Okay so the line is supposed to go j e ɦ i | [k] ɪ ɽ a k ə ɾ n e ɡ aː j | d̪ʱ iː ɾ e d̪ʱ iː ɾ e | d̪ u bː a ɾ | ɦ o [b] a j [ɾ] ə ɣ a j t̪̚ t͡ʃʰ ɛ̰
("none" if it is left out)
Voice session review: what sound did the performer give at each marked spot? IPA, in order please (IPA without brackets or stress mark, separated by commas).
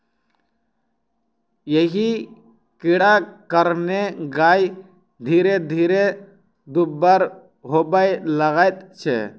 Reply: k, b, l